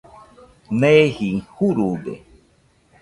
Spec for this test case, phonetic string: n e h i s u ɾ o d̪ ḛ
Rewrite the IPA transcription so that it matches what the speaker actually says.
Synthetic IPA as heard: n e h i h u ɾ u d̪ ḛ